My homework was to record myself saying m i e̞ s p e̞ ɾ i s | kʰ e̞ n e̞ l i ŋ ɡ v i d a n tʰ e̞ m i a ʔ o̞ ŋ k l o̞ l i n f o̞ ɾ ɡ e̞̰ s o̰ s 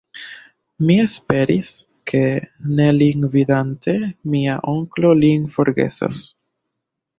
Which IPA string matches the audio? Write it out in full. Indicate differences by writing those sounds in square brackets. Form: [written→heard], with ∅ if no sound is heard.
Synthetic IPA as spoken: m i e̞ s p e̞ ɾ i s | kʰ e̞ n e̞ l i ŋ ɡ v i d a n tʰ e̞ m i a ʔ o̞ ŋ k l o̞ l i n f o̞ ɾ ɡ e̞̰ s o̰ s